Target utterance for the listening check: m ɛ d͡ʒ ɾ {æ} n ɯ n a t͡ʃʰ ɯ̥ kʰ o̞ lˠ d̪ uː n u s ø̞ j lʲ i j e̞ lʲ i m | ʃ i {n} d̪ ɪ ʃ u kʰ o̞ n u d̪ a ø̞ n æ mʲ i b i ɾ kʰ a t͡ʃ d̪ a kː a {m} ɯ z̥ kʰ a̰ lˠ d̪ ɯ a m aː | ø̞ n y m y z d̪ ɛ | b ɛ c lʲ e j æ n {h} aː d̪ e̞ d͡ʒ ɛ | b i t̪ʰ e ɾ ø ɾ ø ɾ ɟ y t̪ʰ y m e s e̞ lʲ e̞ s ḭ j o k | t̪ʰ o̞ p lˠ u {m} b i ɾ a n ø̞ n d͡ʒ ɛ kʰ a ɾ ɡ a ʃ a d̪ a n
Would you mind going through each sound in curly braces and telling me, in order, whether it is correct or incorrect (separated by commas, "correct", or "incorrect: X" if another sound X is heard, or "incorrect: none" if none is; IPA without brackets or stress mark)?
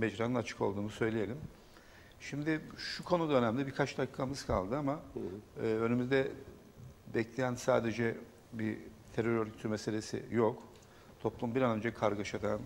incorrect: a, incorrect: m, correct, incorrect: s, correct